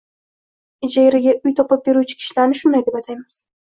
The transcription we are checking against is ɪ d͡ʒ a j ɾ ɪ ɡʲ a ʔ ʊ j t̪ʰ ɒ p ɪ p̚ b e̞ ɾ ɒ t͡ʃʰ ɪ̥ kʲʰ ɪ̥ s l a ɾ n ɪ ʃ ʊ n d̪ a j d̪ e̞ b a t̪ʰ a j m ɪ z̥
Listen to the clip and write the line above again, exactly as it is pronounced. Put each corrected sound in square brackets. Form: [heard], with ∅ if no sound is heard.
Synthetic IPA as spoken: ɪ d͡ʒ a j ɾ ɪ ɡʲ a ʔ ʊ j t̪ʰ ɒ p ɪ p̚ b e̞ ɾ [u] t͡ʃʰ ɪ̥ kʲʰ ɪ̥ [ʃ] l a ɾ n ɪ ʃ ʊ n d̪ a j d̪ e̞ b a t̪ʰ a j m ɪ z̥